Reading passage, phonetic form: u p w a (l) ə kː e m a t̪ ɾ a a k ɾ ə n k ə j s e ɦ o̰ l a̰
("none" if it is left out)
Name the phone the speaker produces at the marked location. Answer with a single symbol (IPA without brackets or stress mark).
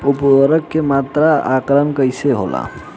ɾ